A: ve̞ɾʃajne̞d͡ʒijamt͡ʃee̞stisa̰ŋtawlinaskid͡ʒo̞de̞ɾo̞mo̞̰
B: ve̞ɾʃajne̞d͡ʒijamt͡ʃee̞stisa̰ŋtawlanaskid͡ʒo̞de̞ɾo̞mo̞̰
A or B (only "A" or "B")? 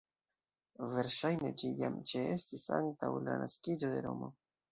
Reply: B